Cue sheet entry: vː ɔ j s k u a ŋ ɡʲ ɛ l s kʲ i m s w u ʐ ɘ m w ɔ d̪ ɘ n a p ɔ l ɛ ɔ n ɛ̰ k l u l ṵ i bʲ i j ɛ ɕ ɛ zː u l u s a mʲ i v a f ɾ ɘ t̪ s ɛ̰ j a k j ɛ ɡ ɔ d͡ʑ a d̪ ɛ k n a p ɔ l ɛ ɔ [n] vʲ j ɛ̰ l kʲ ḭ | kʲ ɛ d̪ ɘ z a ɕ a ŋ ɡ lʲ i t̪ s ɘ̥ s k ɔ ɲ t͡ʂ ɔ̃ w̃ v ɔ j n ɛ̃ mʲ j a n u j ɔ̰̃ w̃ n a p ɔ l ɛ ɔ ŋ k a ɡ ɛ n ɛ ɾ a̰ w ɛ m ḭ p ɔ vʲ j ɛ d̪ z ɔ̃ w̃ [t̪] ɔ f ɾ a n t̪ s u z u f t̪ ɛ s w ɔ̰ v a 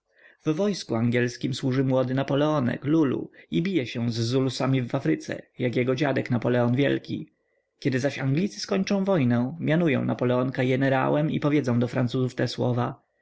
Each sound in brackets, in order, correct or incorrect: correct, incorrect: d̪

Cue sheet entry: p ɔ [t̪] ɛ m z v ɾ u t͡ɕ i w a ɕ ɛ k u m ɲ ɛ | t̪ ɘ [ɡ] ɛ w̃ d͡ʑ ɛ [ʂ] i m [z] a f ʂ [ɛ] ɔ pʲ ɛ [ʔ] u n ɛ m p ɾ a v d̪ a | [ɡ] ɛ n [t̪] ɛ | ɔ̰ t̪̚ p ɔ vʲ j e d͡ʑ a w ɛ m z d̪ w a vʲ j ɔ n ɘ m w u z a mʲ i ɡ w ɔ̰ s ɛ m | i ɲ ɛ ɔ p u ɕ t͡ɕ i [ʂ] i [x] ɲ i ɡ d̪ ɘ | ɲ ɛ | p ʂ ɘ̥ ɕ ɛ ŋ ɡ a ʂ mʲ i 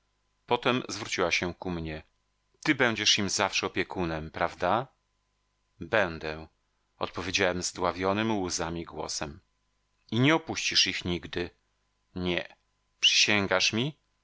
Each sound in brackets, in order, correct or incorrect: correct, incorrect: b, correct, correct, correct, incorrect: k, incorrect: b, incorrect: d̪, correct, correct

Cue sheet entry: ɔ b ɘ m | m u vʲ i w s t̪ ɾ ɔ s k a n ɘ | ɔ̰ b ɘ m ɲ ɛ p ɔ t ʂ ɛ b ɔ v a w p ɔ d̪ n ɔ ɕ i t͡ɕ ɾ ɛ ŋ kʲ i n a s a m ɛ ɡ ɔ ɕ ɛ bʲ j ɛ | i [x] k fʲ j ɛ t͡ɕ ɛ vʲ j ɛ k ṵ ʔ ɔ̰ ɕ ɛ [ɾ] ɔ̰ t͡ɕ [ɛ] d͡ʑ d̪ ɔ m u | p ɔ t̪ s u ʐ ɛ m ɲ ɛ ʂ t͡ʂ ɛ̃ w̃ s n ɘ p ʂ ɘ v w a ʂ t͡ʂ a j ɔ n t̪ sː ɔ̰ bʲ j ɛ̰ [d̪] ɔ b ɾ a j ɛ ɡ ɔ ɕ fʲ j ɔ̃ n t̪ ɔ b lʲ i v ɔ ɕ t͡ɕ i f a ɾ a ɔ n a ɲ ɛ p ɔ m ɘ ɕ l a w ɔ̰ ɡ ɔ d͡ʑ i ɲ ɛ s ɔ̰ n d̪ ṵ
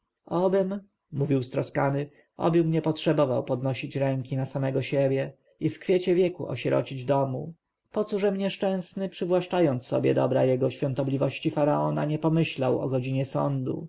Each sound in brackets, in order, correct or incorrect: incorrect: f, correct, incorrect: i, correct

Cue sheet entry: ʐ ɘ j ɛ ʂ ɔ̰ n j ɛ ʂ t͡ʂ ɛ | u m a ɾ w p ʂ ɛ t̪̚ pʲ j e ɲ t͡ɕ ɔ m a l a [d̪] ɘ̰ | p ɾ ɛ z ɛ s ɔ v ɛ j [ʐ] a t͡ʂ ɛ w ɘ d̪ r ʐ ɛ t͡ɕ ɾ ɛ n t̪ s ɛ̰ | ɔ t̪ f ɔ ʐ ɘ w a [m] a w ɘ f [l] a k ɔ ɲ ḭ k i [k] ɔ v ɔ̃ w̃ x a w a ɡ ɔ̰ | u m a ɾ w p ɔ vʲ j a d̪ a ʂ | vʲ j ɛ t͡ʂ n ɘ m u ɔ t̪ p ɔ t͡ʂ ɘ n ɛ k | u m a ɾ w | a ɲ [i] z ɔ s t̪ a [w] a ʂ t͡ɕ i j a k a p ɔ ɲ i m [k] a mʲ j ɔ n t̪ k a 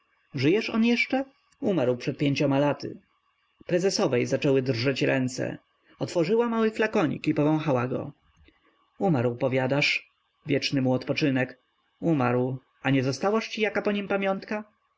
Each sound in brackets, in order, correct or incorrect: incorrect: t̪, incorrect: z, correct, correct, incorrect: p, incorrect: ɛ, correct, incorrect: p

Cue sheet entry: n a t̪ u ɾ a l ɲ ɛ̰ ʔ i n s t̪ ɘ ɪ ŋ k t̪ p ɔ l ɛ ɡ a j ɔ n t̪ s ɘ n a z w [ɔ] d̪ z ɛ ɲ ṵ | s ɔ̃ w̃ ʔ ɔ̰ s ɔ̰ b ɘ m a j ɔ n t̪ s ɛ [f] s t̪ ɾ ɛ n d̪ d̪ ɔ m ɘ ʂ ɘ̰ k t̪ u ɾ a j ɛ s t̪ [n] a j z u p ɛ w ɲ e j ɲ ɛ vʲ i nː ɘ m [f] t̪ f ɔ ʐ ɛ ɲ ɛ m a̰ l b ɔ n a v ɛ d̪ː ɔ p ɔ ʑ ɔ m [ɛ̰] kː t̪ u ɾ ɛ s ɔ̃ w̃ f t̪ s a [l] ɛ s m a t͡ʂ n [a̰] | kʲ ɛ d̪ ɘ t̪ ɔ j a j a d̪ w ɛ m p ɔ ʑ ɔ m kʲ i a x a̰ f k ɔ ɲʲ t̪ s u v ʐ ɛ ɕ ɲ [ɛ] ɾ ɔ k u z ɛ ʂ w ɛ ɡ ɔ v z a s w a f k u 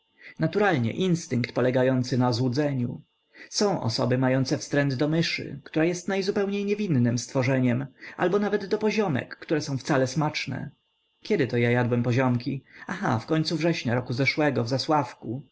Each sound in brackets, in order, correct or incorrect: incorrect: u, correct, correct, incorrect: s, correct, correct, incorrect: ɛ̰, incorrect: a

